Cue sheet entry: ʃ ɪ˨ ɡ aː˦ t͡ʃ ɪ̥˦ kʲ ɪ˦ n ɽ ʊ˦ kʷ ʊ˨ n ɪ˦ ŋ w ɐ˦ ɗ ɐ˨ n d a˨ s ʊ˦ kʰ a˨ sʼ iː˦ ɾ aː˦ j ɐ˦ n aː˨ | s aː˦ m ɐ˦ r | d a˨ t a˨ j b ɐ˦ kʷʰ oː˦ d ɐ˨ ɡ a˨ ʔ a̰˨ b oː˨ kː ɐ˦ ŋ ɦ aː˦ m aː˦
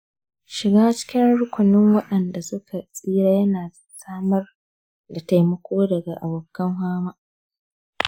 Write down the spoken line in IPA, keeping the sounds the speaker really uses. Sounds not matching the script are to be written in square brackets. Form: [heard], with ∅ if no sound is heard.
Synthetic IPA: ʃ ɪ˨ ɡ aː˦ t͡ʃ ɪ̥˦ kʲ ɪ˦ n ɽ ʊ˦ kʷ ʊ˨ n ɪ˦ ŋ w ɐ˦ ɗ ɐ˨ n d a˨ s ʊ˦ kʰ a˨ sʼ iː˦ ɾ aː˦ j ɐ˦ n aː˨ | s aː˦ m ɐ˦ r | d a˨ t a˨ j [m] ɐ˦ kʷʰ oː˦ d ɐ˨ ɡ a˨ ʔ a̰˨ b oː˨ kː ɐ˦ ŋ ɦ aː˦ m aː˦

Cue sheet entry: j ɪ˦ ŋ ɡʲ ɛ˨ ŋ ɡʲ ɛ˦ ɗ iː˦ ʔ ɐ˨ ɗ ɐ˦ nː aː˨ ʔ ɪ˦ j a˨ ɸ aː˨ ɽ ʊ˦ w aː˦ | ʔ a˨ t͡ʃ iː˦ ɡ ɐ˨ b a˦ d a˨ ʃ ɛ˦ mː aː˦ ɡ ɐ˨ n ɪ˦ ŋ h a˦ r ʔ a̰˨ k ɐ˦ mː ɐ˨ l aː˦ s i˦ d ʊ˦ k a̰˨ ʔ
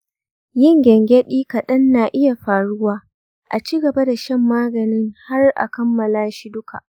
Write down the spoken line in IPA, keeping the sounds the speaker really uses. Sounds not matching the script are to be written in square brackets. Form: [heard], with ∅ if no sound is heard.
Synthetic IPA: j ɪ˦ ŋ ɡʲ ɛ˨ ŋ ɡʲ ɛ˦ ɗ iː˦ [k] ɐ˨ ɗ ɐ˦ nː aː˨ ʔ ɪ˦ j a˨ ɸ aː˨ ɽ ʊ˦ w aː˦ | ʔ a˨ t͡ʃ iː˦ ɡ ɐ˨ b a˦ d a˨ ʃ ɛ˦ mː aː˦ ɡ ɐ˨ n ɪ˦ ŋ h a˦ r ʔ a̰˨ k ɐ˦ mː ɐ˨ l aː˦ [ʃ] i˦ d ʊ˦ k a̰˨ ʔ

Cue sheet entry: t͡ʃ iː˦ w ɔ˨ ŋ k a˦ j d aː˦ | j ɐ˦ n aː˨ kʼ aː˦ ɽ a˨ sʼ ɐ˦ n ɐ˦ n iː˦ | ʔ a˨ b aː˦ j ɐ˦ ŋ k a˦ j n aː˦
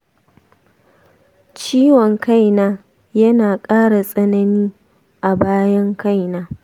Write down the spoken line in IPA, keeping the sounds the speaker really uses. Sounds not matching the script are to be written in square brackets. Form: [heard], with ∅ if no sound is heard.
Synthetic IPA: t͡ʃ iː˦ w ɔ˨ ŋ k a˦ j [n] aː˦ | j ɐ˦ n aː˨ kʼ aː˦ ɽ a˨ sʼ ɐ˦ n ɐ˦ n iː˦ | ʔ a˨ b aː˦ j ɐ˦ ŋ k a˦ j n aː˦

